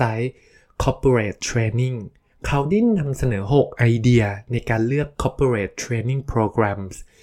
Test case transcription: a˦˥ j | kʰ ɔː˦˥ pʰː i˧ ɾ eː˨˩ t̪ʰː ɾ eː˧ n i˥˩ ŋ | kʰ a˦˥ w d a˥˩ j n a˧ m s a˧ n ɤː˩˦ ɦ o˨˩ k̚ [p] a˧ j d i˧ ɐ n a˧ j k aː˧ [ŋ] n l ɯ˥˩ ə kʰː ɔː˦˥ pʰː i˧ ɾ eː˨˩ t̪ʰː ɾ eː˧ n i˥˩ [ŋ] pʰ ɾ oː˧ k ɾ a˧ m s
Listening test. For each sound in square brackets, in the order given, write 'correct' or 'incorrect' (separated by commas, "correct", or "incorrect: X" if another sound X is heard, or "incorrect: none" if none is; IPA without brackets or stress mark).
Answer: incorrect: ʔ, incorrect: none, correct